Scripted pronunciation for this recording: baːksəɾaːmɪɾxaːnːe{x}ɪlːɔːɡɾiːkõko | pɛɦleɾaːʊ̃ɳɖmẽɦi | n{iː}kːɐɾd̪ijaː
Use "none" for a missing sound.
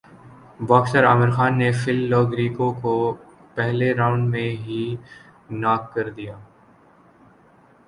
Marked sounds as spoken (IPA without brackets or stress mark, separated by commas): f, aː